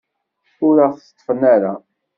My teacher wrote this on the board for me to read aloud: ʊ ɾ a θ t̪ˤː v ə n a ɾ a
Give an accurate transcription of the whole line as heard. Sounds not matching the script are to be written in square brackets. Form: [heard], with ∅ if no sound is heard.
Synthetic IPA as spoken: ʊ ɾ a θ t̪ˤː [f] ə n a ɾ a